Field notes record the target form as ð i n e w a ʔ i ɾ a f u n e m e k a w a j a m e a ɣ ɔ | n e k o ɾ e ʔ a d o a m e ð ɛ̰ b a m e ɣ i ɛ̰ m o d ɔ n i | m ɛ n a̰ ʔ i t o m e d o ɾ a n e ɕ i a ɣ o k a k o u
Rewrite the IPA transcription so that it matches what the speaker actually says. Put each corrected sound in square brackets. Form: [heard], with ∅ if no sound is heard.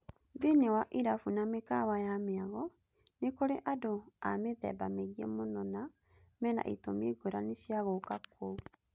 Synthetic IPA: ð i n e w a ʔ i ɾ a f u n [a] m e k a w a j a m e a ɣ ɔ | n e k o ɾ e ʔ a d o a m e ð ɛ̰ b a m e ɣ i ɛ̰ m o [n] ɔ n [a] | m ɛ n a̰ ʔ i t o m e [ɡ] o ɾ a n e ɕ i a ɣ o k a k o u